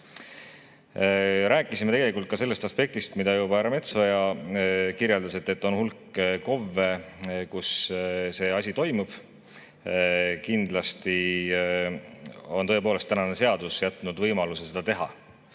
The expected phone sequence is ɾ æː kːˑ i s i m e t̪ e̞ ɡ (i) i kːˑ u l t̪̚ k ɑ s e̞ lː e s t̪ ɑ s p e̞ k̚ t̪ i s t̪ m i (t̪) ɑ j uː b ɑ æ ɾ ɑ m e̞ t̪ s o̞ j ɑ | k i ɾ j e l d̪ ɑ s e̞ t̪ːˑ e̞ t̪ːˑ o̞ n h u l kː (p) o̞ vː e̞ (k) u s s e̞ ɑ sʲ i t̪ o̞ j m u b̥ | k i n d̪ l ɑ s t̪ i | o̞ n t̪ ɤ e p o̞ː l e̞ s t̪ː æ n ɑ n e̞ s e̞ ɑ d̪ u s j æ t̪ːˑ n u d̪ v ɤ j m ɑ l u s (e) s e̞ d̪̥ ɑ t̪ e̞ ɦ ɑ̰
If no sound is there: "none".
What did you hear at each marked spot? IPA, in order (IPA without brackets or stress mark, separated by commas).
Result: e, d̪, k, k, e